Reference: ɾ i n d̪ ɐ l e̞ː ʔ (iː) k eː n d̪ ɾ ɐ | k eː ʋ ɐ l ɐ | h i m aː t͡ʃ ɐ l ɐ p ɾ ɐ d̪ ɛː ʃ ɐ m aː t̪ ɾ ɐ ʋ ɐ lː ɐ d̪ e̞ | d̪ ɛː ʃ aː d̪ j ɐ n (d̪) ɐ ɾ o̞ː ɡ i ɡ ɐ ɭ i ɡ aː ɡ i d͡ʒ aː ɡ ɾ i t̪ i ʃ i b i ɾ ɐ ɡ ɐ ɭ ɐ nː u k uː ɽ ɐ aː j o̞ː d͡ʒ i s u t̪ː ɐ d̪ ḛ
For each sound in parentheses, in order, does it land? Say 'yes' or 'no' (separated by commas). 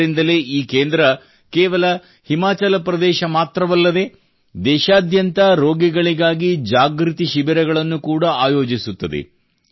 yes, no